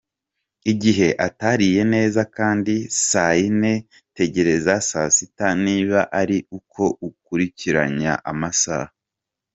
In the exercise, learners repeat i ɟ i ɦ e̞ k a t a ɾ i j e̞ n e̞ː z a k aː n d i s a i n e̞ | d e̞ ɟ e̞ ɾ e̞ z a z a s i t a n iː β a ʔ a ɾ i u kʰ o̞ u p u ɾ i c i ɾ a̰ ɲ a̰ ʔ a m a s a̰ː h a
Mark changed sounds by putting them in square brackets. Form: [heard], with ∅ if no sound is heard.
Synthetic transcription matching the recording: i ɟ i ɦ e̞ [ʔ] a t a ɾ i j e̞ n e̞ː z a k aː n d i s a i n e̞ | [t] e̞ ɟ e̞ ɾ e̞ z a [s] a s i t a n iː β a ʔ a ɾ i u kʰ o̞ u [k] u ɾ i c i ɾ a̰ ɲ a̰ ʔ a m a s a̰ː h a